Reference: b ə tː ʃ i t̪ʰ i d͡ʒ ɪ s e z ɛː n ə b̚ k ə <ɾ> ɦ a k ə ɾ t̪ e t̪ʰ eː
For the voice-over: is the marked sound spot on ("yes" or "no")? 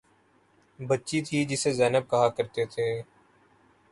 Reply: no